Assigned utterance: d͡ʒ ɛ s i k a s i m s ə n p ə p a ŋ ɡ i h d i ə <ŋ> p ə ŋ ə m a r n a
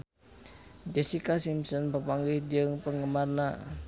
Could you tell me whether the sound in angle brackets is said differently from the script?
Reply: no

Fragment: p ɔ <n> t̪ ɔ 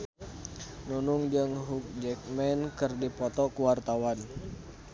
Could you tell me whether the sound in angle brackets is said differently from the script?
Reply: yes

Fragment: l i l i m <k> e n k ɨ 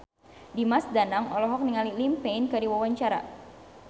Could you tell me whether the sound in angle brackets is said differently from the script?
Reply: yes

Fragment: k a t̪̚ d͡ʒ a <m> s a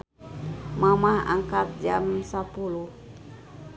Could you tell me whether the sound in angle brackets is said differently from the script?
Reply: no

